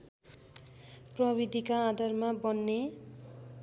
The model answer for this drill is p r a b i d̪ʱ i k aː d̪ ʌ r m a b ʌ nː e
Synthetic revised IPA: p r ʌ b i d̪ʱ i k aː d̪ ʌ r m a b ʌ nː e

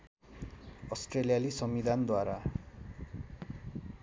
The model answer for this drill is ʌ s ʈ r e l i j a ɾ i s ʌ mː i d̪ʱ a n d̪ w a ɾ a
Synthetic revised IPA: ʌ s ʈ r e l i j a l i s ʌ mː i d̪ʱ a n d̪ w a ɾ a

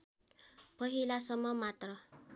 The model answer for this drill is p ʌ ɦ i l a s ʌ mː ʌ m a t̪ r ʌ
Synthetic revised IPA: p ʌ ɦ i l a s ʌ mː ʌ m a t̪ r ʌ

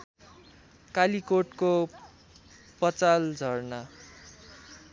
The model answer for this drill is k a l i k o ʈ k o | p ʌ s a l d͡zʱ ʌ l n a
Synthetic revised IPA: k a l i k o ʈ k o | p ʌ t͡s a l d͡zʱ ʌ r n a

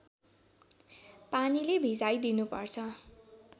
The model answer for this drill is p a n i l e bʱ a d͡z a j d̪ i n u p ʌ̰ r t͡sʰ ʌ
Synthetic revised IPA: p a n i l e bʱ i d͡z a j d̪ i n u p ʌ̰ r t͡sʰ ʌ

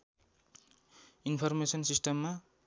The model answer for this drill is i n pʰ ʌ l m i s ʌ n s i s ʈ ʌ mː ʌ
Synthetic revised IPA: i n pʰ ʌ r m e s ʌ n s i s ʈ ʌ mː a

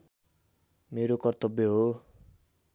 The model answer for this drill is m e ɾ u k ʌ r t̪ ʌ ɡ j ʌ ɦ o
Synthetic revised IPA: m e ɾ o k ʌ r t̪ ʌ b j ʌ ɦ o

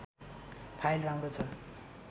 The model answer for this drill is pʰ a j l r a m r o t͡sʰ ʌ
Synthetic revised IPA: pʰ a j l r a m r o t͡sʰ ʌ

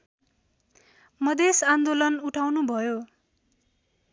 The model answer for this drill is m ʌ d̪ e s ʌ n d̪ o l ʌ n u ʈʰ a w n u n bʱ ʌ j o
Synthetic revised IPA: m ʌ d̪ e s a n d̪ o l ʌ n u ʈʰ a w n u bʱ ʌ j o

